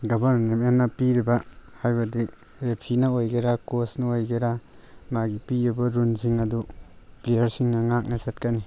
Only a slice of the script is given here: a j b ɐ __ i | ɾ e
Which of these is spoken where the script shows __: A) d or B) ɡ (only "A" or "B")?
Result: A